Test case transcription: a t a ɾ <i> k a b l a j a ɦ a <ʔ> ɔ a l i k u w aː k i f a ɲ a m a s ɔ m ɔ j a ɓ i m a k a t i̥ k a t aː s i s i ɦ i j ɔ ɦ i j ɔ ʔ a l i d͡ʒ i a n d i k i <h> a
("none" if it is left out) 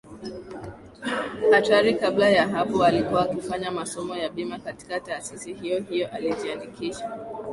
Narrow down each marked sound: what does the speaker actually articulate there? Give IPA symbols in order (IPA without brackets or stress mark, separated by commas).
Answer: i, p, ʃ